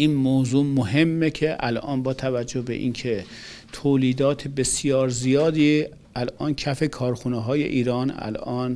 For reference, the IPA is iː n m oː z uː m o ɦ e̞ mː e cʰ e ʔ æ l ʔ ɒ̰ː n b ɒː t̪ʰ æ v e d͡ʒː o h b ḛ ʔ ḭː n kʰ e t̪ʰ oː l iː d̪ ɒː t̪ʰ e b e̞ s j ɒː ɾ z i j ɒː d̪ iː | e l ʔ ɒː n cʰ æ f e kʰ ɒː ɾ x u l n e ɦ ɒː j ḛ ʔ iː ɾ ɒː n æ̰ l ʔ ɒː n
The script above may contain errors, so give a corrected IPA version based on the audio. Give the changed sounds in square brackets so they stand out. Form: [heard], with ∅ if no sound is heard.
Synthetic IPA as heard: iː n m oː z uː m o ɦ e̞ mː e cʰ e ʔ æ l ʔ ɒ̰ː n b ɒː t̪ʰ æ v [æ] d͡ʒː o h b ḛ ʔ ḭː n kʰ e t̪ʰ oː l iː d̪ ɒː t̪ʰ e b e̞ s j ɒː ɾ z i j ɒː d̪ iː | [æ] l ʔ ɒː n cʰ æ f e kʰ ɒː ɾ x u [∅] n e ɦ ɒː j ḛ ʔ iː ɾ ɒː n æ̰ l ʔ ɒː n